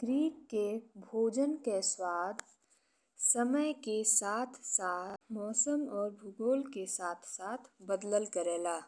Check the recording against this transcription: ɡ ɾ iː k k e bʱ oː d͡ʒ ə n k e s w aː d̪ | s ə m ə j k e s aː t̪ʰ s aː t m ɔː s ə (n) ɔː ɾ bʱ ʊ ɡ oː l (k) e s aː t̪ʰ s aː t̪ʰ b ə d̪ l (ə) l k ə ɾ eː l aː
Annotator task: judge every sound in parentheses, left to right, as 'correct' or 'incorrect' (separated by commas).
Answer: incorrect, correct, correct